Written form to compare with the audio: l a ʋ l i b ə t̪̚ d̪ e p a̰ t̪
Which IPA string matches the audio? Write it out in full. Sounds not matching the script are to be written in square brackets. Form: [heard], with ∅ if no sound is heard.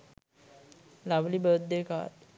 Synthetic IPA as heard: l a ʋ l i b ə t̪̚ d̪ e [k] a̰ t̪